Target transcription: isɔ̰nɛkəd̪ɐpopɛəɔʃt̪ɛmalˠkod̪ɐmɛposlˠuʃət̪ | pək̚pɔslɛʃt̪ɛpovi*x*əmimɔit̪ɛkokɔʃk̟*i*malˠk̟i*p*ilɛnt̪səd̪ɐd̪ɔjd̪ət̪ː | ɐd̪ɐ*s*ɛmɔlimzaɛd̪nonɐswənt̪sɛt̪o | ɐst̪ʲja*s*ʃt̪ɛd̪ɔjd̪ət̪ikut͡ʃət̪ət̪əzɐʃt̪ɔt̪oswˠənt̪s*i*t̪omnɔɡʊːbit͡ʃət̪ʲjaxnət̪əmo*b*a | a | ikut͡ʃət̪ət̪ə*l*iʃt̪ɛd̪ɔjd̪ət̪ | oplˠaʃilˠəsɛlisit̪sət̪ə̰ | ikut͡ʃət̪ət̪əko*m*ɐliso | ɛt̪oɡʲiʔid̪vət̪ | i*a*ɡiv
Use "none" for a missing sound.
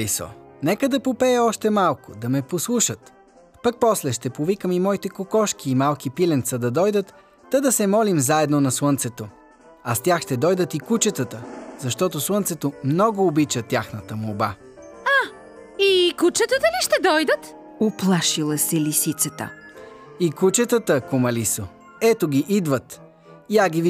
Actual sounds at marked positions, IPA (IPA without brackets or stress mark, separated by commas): k, iː, p, s, x, ɛ, b, l, m, a